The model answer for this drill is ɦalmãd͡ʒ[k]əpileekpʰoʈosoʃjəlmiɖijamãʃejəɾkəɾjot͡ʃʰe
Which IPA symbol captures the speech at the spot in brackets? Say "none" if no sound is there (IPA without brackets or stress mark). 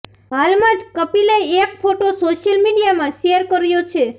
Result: k